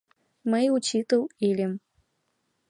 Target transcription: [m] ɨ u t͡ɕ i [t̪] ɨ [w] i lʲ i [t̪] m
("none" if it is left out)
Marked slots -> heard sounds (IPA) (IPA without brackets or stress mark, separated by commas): m, t̪, w, none